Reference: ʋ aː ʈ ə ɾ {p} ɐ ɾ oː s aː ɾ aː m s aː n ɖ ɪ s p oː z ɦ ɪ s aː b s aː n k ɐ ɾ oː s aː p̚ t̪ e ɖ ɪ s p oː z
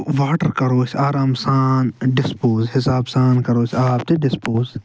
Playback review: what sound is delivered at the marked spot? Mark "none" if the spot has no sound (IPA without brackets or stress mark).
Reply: k